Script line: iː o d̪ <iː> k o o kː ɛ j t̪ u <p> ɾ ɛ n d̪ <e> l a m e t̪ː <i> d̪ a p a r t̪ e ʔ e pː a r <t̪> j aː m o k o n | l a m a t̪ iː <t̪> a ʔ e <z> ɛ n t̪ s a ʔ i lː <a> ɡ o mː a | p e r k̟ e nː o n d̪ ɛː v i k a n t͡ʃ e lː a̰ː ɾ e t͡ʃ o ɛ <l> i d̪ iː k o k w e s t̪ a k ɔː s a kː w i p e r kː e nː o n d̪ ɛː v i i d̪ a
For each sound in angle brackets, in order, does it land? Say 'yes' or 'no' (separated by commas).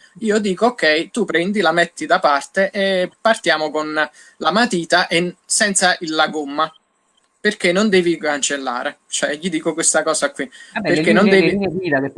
yes, yes, no, yes, yes, yes, no, yes, no